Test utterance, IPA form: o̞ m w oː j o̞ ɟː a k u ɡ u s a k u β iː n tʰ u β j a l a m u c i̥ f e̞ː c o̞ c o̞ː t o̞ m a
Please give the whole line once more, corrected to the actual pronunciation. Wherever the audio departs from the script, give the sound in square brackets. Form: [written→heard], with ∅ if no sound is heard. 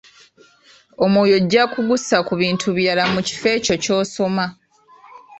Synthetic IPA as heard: o̞ m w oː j o̞ ɟː a k u ɡ u s a k u β iː n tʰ u β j a l a m u c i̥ f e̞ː c o̞ c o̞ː [t→s] o̞ m a